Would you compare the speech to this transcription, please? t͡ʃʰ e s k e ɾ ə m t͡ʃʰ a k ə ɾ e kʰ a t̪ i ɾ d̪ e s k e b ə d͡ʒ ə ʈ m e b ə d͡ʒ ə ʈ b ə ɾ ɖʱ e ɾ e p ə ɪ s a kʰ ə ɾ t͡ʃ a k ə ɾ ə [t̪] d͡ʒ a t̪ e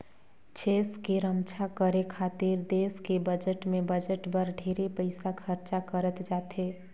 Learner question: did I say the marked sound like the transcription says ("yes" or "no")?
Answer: yes